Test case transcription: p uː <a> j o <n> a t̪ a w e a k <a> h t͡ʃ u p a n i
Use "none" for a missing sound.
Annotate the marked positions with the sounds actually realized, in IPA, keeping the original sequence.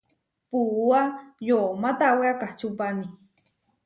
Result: a, m, a

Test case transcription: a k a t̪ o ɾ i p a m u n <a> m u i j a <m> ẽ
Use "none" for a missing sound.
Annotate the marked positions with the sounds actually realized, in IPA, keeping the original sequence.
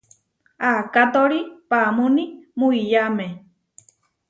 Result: i, m

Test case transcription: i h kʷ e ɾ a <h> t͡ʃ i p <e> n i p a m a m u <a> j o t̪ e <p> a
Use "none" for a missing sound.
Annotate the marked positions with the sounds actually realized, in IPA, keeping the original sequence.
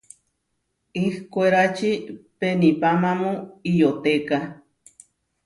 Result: none, e, i, k

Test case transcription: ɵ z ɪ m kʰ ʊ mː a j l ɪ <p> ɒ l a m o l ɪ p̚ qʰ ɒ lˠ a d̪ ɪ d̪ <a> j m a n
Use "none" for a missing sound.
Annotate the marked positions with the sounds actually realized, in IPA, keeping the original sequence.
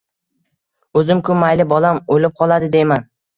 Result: b, e

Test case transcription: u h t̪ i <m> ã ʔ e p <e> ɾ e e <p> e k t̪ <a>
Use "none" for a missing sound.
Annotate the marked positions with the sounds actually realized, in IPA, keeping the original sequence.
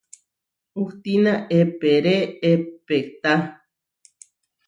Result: n, e, p, a

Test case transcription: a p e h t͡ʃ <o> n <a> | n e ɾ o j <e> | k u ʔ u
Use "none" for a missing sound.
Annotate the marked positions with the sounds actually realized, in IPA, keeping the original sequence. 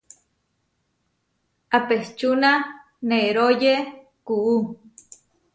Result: u, a, e

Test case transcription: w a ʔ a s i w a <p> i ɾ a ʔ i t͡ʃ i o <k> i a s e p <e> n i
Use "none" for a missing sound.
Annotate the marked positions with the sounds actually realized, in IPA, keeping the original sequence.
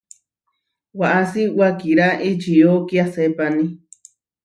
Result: k, k, a

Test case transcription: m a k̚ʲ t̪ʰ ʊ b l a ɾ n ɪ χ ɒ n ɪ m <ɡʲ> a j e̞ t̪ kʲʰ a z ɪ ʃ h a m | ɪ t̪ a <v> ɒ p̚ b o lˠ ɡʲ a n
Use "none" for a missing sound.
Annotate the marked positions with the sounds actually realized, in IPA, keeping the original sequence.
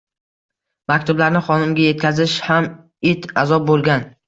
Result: ɡʲ, z

